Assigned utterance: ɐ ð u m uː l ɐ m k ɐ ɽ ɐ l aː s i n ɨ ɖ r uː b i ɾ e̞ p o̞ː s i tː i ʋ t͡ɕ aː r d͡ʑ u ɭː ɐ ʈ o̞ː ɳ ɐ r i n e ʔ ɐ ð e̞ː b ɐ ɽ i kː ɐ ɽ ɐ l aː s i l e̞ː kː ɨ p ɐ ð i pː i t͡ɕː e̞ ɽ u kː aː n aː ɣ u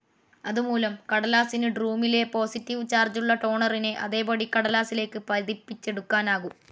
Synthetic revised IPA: ɐ ð u m uː l ɐ m k ɐ ɽ ɐ l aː s i n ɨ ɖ r uː m i l e̞ p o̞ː s i tː i ʋ t͡ɕ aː r d͡ʑ u ɭː ɐ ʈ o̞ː ɳ ɐ r i n e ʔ ɐ ð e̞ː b ɐ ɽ i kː ɐ ɽ ɐ l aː s i l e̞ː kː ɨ p ɐ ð i pː i t͡ɕː e̞ ɽ u kː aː n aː ɣ u